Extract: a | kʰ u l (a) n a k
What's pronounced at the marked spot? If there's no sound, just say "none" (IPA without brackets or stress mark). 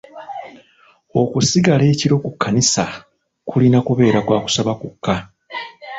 i